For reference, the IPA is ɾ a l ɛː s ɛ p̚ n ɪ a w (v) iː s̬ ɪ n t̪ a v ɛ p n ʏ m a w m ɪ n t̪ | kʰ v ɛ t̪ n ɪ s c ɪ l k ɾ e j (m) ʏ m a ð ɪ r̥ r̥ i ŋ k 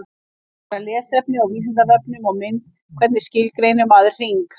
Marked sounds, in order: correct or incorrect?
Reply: correct, incorrect

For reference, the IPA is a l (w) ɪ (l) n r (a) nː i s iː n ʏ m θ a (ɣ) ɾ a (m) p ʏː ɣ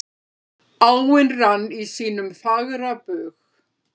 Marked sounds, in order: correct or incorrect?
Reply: correct, incorrect, correct, correct, incorrect

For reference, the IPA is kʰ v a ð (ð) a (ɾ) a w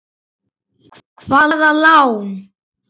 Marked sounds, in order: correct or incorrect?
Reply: correct, incorrect

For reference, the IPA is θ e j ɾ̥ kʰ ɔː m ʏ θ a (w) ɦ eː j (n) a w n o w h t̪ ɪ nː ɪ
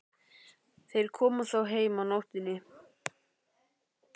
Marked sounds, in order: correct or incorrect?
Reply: correct, incorrect

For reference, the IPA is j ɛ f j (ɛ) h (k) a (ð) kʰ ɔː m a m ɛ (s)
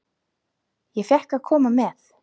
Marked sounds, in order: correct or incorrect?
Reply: correct, correct, correct, incorrect

